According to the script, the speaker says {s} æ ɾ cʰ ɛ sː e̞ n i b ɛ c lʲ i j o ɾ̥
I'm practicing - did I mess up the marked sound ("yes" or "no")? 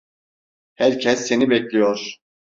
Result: yes